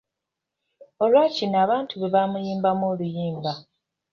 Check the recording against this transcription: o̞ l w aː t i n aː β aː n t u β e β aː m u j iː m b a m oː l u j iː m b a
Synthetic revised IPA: o̞ l w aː c i n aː β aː n t u β e β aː m u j iː m b a m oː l u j iː m b a